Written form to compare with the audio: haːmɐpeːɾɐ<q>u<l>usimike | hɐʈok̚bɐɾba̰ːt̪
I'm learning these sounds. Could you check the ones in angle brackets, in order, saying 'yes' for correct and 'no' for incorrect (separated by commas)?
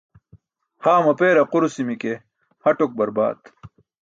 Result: yes, no